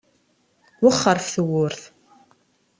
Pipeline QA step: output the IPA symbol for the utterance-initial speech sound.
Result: w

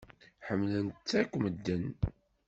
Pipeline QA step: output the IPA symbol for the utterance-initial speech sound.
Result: ħ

